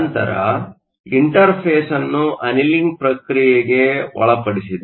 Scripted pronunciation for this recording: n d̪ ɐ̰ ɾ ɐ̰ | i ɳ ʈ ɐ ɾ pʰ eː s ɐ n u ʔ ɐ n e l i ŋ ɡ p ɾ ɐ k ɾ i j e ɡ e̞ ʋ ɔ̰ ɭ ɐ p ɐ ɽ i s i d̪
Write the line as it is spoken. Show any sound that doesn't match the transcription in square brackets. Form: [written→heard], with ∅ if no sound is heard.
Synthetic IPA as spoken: n [d̪→t̪] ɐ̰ ɾ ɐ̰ | i ɳ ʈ ɐ ɾ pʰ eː s ɐ [n→nː] u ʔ ɐ n [e→i] l i ŋ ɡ p ɾ ɐ k ɾ i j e ɡ e̞ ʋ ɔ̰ ɭ ɐ p ɐ ɽ i s i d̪